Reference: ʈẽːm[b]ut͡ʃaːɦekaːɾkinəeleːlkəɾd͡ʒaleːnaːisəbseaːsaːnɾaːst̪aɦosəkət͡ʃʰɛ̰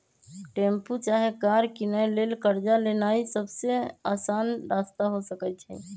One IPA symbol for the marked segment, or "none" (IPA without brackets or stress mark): p